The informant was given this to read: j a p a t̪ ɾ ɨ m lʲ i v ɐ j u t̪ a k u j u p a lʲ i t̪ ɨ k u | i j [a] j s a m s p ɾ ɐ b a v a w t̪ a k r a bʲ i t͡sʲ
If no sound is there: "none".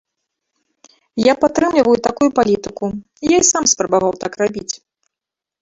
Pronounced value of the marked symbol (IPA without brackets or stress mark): a